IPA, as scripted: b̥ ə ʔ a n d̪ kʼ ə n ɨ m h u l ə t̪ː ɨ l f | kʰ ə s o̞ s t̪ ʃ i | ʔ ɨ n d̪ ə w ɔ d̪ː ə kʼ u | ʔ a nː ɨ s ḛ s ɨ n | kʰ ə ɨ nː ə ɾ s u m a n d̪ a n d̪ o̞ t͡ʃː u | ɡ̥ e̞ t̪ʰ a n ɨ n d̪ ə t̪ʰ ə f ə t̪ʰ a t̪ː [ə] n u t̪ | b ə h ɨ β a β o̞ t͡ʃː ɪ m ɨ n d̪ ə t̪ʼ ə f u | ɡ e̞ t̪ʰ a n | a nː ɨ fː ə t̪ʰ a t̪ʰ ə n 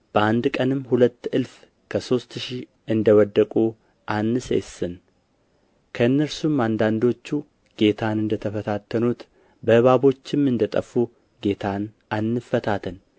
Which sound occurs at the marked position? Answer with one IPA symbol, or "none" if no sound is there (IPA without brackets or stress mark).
ə